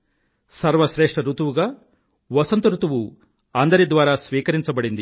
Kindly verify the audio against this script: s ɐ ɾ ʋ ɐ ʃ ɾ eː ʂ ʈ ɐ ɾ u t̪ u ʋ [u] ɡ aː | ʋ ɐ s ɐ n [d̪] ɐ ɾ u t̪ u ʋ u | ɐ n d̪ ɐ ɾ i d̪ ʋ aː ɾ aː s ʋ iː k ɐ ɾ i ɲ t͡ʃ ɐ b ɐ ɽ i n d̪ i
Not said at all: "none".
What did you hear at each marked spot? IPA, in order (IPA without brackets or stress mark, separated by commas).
u, t̪